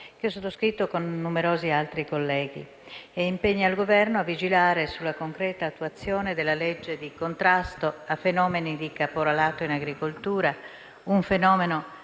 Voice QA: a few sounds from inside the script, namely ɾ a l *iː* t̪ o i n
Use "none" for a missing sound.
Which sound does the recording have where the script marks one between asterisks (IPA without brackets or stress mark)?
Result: aː